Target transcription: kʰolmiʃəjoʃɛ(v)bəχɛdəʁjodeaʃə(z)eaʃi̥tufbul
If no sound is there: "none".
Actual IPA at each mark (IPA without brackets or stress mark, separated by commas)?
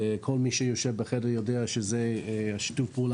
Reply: v, z